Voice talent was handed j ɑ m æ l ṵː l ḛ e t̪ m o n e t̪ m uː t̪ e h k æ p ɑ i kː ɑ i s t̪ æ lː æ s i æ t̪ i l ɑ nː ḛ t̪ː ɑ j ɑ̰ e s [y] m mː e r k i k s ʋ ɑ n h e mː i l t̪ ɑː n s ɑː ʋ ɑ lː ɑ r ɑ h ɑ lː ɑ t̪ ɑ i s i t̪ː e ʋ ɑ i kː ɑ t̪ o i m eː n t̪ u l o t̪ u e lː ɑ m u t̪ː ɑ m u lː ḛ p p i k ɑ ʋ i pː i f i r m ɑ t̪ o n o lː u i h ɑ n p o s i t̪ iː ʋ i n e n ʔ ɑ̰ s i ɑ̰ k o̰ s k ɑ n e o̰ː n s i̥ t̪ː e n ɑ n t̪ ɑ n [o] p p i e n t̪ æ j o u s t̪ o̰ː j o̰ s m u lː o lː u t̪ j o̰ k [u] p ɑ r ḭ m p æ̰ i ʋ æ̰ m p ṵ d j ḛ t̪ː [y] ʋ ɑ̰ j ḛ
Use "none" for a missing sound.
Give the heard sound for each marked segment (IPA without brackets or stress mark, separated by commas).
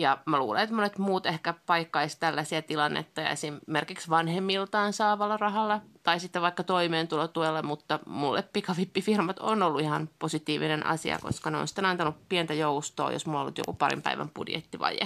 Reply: i, u, u, i